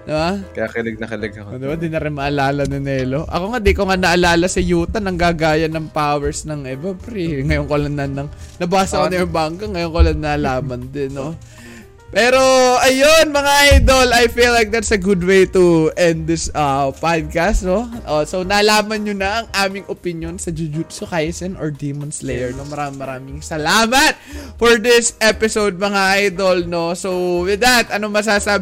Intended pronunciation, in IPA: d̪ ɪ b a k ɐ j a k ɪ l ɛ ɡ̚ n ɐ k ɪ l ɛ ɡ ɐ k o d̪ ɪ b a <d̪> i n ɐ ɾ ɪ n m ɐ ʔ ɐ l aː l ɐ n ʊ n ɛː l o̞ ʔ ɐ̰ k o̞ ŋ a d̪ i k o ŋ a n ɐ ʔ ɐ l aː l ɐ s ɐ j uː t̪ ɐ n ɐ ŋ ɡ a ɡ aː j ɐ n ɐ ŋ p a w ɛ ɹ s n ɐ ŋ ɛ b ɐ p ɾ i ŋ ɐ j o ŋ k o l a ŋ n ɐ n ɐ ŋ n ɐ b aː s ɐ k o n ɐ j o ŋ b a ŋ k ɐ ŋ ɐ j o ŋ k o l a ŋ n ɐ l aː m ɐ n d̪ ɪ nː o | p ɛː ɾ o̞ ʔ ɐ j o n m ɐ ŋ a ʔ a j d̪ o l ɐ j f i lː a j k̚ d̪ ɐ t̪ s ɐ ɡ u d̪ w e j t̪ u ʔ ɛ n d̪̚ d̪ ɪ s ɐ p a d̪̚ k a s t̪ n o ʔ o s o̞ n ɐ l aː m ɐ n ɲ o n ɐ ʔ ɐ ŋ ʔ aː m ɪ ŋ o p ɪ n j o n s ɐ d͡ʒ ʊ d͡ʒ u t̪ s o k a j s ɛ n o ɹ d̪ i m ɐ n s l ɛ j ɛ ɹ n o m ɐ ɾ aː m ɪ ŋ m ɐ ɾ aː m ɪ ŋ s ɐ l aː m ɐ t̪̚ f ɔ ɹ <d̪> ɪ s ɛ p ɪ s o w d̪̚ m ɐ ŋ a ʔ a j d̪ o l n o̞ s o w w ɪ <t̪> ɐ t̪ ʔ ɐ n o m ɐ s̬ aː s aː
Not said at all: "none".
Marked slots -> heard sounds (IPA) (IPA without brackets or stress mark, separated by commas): d̪, d̪, d̪